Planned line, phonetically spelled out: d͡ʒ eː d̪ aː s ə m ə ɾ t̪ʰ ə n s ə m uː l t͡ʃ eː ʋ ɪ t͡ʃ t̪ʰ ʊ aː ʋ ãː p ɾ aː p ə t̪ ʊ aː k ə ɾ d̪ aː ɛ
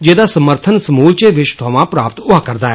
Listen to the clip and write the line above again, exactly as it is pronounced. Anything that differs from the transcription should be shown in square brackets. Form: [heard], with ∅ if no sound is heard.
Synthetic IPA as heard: d͡ʒ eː d̪ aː s ə m ə ɾ t̪ʰ ə n s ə m uː l t͡ʃ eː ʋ ɪ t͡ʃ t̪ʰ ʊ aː ʋ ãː p ɾ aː p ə t̪ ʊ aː k ə ɾ d̪ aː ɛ